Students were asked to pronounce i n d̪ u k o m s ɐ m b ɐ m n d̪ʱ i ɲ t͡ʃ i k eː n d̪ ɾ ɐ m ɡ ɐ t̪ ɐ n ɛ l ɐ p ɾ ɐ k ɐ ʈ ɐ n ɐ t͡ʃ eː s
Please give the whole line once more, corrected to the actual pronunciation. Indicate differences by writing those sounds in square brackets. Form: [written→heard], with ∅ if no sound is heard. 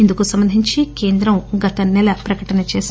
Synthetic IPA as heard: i n d̪ u k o [m→∅] s ɐ m b ɐ [m→∅] n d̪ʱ i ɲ t͡ʃ i k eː n d̪ ɾ ɐ m ɡ ɐ t̪ ɐ n ɛ l ɐ p ɾ ɐ k ɐ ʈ ɐ n ɐ t͡ʃ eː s